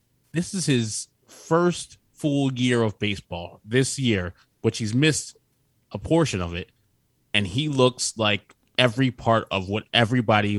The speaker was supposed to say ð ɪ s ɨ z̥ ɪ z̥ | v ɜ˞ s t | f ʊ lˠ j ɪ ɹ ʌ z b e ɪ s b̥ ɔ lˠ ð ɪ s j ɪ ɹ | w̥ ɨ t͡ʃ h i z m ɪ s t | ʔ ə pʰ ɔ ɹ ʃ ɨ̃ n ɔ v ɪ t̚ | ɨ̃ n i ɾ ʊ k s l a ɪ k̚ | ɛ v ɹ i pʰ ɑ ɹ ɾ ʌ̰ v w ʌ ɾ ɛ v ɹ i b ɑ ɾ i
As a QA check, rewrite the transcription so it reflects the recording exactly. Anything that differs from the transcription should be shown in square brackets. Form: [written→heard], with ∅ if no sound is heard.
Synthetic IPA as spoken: ð ɪ s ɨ z̥ ɪ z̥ | [v→f] ɜ˞ s t | f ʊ lˠ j ɪ ɹ ʌ [z→v] b e ɪ s b̥ ɔ lˠ ð ɪ s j ɪ ɹ | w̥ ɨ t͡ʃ h i z m ɪ s t | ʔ ə pʰ ɔ ɹ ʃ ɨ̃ n [ɔ→ʌ] v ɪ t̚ | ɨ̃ n i [ɾ→l] ʊ k s l a ɪ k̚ | ɛ v ɹ i pʰ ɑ ɹ ɾ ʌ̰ v w ʌ ɾ ɛ v ɹ i b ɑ ɾ i